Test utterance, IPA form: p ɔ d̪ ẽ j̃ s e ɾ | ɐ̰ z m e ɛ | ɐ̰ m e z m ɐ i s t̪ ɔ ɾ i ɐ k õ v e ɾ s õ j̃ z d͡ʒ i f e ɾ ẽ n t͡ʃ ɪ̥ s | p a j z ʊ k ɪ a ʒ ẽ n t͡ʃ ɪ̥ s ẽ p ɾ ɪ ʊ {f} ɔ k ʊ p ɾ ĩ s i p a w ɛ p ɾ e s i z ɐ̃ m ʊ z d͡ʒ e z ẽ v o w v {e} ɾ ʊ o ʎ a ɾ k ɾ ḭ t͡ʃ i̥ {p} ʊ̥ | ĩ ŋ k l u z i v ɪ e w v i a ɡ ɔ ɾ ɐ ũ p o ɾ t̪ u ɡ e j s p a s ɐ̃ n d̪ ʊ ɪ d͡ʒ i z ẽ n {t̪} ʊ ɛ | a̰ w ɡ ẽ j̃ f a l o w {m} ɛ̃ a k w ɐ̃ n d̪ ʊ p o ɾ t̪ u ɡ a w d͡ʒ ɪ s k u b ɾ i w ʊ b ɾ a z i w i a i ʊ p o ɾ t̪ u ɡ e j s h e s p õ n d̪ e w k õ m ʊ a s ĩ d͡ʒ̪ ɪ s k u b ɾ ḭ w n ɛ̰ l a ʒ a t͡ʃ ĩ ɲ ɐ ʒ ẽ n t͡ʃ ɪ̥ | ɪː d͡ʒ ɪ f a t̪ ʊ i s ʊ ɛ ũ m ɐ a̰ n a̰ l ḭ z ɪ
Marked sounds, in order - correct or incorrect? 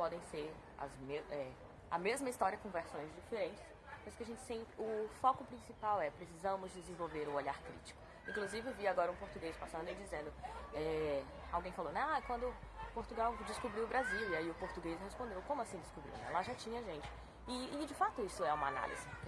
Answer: correct, correct, incorrect: k, incorrect: d̪, incorrect: n

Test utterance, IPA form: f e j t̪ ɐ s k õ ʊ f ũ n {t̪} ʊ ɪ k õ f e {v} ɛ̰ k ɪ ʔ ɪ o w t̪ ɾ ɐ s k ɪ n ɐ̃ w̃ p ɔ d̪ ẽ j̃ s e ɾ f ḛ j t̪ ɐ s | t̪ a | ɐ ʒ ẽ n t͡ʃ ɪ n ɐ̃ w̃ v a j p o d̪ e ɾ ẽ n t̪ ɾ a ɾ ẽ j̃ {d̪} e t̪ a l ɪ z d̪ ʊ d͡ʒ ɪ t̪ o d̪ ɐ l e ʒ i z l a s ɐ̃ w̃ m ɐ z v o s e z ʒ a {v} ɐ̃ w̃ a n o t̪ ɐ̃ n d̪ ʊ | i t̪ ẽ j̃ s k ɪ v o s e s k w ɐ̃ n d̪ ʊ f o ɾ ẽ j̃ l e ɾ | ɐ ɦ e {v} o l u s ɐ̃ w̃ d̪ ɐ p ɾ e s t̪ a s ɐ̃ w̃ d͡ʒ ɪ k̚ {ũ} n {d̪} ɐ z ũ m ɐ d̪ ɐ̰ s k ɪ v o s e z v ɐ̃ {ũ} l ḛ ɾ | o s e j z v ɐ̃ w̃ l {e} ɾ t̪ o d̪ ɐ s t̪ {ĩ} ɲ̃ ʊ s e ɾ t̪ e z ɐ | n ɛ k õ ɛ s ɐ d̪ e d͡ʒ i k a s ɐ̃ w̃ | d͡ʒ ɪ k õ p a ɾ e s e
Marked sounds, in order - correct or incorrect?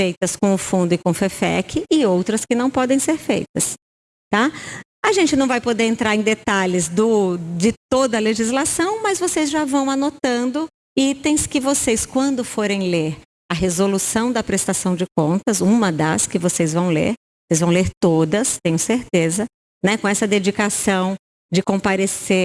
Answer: incorrect: d̪, incorrect: f, correct, correct, incorrect: z, incorrect: õ, incorrect: t̪, incorrect: w̃, correct, incorrect: ẽ

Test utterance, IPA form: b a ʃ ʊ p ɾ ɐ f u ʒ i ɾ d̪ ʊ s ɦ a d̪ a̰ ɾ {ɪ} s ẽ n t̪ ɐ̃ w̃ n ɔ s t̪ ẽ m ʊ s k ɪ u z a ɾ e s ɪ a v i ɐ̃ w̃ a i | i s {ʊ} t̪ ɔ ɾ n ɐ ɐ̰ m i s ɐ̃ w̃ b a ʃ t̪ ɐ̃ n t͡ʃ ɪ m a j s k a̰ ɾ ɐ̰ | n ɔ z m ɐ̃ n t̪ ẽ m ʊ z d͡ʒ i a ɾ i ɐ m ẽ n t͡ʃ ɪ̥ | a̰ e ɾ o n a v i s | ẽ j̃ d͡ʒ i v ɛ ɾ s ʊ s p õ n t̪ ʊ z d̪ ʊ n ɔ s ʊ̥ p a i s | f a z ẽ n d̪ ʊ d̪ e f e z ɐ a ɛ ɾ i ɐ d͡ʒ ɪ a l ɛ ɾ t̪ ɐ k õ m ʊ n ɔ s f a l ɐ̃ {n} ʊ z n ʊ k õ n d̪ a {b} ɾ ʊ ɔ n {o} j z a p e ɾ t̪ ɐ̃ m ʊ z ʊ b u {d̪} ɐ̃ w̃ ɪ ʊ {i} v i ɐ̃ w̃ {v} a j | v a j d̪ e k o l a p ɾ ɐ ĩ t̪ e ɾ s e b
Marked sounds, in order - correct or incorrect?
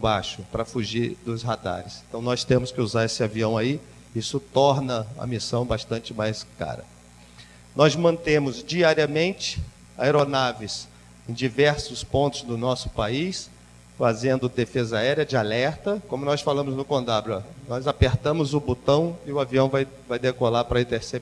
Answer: correct, correct, incorrect: m, correct, incorrect: ɔ, incorrect: t̪, incorrect: a, correct

